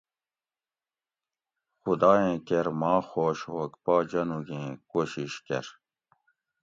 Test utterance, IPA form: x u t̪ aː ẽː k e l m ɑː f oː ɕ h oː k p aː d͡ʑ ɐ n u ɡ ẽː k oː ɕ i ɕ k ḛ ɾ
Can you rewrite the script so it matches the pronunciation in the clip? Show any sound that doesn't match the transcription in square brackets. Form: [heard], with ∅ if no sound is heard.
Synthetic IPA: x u [d̪] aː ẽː k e [ɾ] m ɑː [x] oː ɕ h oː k p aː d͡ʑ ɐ n u ɡ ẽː k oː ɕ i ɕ k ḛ ɾ